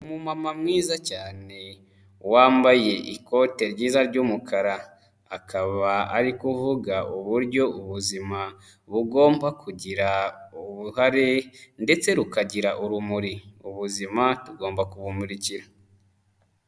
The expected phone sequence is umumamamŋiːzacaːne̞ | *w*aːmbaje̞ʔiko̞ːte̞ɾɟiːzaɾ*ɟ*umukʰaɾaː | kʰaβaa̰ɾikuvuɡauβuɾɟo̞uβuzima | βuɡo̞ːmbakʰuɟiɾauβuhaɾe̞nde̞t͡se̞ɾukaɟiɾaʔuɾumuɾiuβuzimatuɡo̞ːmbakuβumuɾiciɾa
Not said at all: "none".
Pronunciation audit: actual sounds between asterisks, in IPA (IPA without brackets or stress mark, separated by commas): w, ɟ